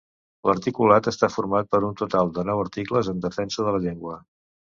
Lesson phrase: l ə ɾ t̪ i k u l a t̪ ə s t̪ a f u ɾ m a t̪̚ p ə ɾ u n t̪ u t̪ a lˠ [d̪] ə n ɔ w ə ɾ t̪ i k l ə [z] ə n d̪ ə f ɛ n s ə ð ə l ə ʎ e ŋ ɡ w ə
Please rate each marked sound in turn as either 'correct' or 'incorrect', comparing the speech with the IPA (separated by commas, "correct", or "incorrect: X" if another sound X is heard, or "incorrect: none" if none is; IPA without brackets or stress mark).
correct, correct